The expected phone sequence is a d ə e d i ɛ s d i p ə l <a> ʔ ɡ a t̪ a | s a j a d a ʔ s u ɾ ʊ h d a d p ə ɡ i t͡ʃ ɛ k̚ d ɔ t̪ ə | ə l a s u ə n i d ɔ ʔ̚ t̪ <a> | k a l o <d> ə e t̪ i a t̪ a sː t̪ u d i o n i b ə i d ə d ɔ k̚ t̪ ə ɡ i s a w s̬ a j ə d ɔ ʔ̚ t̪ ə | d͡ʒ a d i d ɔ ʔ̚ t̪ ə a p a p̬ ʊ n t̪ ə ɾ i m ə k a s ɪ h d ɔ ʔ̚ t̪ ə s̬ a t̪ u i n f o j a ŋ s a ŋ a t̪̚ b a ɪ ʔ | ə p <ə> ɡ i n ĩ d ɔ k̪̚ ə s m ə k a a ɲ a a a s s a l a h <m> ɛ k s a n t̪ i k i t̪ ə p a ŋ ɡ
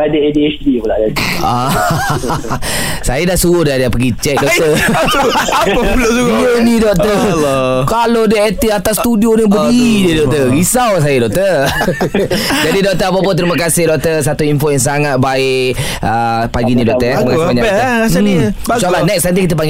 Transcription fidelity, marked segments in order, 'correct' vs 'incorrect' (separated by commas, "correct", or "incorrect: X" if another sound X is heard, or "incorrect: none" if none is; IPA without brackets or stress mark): correct, incorrect: ə, correct, incorrect: a, incorrect: n